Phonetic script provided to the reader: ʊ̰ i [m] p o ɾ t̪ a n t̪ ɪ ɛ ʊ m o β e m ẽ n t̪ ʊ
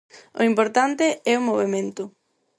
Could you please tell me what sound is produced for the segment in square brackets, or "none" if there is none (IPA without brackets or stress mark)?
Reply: m